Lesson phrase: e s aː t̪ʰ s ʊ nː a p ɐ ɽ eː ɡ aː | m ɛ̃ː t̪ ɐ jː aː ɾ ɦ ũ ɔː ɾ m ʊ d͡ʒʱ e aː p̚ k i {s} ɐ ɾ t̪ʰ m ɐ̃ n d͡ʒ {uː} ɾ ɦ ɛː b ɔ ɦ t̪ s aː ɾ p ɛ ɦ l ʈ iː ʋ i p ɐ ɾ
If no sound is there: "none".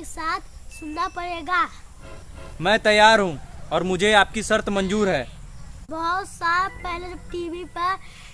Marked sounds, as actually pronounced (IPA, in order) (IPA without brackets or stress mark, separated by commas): s, uː